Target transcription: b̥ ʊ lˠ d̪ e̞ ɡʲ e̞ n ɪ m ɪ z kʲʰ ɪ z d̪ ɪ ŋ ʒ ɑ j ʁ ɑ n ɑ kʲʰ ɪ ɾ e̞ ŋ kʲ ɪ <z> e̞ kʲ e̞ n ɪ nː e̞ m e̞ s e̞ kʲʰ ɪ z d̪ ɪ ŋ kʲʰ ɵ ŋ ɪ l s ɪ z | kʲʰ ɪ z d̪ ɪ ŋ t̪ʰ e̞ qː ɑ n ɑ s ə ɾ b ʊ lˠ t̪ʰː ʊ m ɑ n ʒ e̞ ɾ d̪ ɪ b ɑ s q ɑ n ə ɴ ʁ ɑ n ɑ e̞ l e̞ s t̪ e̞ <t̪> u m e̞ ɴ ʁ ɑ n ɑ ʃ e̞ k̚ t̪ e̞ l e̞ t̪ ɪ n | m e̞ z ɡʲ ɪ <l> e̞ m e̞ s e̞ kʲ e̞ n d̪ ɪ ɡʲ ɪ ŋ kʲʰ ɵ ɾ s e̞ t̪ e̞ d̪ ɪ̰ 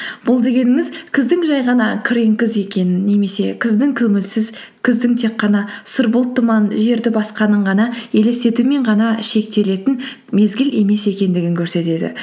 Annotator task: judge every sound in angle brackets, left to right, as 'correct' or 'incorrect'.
correct, correct, correct

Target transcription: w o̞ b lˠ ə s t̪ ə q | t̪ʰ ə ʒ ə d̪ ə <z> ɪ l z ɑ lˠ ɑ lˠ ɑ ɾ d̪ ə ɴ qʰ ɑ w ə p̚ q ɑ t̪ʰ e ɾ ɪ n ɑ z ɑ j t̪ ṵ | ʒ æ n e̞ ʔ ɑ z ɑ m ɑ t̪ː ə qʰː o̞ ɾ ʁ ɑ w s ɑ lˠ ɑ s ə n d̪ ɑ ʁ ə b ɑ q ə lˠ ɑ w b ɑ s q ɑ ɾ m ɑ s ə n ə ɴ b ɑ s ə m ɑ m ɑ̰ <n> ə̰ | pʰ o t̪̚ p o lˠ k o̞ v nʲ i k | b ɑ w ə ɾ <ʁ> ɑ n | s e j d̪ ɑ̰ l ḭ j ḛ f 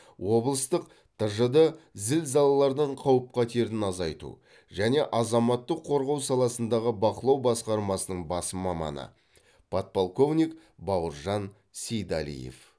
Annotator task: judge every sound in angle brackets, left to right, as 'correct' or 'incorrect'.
correct, correct, incorrect: ʒ

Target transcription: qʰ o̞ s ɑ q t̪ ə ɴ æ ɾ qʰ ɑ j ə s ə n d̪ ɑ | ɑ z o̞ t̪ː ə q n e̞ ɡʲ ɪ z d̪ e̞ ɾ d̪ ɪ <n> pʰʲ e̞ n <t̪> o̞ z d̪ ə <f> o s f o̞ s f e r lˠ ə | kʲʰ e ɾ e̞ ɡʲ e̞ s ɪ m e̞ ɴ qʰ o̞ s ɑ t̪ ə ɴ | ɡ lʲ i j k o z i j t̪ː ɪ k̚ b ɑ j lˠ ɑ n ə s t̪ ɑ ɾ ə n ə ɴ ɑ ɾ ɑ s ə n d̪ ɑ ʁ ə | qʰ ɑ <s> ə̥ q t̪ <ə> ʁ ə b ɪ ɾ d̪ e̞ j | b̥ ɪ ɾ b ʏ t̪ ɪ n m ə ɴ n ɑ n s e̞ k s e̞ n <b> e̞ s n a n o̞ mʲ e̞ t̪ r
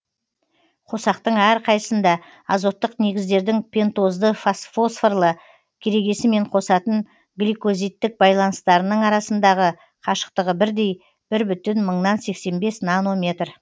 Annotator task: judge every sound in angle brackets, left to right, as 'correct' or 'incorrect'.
incorrect: ŋ, correct, correct, incorrect: ʃ, correct, correct

